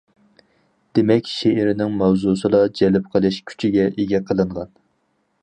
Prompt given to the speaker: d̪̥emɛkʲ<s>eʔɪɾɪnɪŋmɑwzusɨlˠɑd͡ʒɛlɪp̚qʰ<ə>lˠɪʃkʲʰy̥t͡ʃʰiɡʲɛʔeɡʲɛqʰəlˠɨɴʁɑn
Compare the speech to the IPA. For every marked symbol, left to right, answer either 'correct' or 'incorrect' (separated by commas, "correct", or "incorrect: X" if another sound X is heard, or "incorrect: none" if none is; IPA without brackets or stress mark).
incorrect: ʃ, correct